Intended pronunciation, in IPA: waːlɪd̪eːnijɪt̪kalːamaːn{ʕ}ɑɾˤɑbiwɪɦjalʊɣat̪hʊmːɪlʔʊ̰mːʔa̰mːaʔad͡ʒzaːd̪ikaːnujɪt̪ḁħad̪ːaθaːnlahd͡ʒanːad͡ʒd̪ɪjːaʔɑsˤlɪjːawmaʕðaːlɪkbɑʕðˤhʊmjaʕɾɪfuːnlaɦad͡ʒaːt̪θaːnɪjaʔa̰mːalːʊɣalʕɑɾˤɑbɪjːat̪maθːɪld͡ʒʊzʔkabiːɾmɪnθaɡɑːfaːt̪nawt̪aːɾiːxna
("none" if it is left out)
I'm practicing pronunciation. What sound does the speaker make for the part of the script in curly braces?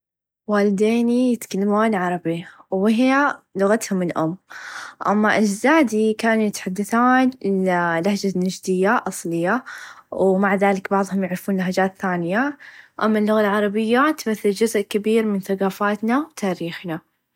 ʕ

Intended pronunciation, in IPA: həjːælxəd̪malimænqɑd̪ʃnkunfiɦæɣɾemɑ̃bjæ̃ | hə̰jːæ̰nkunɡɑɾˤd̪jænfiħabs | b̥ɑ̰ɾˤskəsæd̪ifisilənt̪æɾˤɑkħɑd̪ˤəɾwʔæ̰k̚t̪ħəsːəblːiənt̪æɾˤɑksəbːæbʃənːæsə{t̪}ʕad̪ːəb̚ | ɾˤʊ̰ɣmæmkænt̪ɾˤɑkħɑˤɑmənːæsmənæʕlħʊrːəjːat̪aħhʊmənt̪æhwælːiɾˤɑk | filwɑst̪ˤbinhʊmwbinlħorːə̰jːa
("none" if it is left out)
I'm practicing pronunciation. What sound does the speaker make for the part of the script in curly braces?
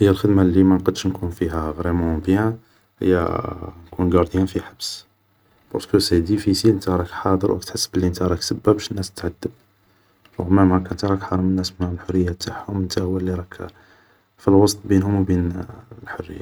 t̪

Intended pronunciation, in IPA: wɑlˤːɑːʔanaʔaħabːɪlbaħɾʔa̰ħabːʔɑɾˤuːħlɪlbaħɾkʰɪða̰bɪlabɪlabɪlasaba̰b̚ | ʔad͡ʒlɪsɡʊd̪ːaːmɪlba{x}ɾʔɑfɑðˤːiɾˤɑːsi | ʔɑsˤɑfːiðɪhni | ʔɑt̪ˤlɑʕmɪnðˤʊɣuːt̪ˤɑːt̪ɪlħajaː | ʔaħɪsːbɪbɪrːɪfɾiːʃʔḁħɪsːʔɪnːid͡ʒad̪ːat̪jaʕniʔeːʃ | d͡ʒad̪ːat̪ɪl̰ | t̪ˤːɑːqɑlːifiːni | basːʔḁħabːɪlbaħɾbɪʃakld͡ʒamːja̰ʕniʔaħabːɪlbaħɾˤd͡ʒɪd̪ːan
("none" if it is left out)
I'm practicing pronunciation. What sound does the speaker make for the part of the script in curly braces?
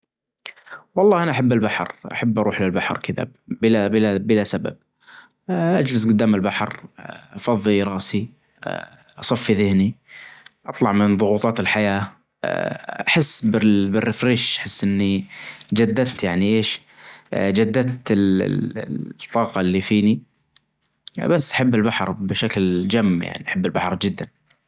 ħ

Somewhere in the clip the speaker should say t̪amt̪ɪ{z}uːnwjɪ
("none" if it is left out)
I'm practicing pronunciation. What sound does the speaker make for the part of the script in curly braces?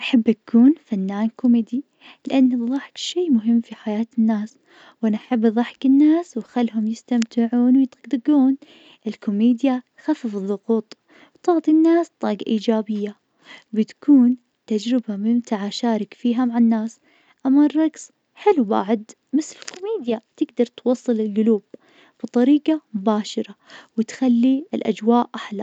ʕ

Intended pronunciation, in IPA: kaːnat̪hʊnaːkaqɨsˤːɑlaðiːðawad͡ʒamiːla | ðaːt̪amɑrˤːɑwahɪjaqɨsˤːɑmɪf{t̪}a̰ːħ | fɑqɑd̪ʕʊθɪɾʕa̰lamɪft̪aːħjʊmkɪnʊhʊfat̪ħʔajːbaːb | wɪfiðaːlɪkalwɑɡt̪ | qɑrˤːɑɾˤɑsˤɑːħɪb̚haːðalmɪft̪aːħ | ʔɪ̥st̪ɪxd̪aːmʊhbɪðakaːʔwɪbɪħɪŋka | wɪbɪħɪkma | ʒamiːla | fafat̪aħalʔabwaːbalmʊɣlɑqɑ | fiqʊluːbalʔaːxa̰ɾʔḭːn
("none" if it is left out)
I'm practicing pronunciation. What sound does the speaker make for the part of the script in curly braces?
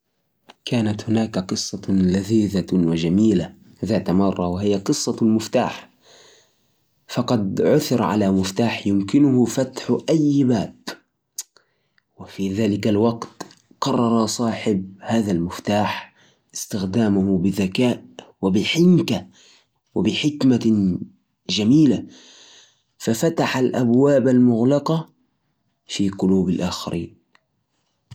t̪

